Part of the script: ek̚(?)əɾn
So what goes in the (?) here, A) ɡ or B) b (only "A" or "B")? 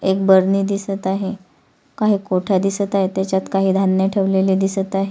B